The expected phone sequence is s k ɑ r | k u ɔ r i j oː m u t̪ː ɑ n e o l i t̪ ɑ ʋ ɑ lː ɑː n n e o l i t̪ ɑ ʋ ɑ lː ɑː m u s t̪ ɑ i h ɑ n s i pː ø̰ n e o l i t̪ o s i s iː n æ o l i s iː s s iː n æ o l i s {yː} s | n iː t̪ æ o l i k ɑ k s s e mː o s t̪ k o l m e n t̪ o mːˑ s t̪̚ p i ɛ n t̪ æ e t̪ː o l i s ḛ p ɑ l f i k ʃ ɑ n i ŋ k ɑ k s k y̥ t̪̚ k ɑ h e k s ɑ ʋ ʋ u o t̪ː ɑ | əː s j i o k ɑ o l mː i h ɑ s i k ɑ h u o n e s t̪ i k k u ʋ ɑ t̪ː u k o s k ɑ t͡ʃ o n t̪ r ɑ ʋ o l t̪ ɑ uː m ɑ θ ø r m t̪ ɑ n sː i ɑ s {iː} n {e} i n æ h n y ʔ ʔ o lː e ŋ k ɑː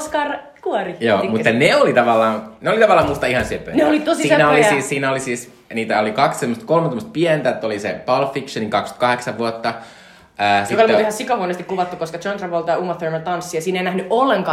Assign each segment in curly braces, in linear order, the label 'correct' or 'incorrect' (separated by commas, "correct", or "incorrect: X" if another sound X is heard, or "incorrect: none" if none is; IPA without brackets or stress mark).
incorrect: iː, correct, correct